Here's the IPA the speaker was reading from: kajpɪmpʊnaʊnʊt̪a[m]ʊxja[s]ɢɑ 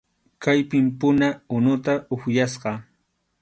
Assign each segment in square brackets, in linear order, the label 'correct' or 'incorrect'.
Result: incorrect: none, correct

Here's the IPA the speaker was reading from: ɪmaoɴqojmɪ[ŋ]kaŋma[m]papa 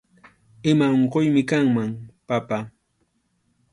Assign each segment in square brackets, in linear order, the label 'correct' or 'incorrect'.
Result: incorrect: none, incorrect: ŋ

